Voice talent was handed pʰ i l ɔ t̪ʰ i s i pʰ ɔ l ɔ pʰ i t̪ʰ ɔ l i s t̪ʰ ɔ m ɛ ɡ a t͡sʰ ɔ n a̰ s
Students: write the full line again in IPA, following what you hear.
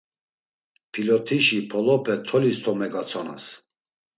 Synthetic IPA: pʰ i l ɔ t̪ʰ i ʃ i pʰ ɔ l ɔ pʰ ɛ t̪ʰ ɔ l i s t̪ʰ ɔ m ɛ ɡ a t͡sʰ ɔ n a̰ s